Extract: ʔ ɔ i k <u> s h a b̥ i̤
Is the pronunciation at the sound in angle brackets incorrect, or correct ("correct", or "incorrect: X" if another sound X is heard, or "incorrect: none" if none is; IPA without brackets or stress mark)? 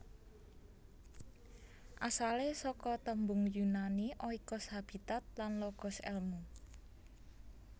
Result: incorrect: ɔ